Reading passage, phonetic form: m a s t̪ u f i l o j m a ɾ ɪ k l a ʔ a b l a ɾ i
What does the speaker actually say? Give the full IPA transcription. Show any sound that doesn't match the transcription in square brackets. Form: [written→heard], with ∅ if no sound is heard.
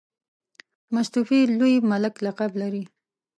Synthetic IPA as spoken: m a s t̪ u f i l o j m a [ɾ→l] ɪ k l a [ʔ→q] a b l a ɾ i